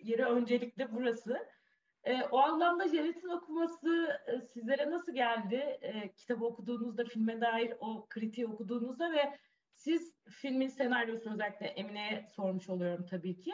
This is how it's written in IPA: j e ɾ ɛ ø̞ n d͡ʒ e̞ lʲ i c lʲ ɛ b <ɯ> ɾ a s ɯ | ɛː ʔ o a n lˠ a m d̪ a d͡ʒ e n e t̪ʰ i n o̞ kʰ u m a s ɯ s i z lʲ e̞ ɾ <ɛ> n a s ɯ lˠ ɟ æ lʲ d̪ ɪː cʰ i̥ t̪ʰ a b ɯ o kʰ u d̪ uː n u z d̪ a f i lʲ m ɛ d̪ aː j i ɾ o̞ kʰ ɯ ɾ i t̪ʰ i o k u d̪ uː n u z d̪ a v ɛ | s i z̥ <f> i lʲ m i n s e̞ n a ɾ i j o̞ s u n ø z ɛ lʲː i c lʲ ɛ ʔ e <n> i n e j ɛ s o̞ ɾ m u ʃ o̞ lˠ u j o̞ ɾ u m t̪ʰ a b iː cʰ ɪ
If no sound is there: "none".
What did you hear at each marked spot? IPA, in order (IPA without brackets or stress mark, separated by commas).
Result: u, ɛ, f, m